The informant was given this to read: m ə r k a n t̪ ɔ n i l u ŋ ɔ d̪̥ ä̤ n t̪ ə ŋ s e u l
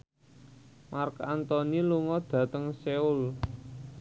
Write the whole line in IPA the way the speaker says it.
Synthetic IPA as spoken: m a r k a n t̪ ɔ n i l u ŋ ɔ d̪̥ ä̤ t̪ ə ŋ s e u l